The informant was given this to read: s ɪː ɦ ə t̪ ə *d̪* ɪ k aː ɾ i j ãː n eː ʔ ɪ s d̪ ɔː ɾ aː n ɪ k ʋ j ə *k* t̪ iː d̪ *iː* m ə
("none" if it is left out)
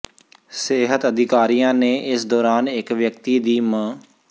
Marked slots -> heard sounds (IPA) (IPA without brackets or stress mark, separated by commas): d̪, k, iː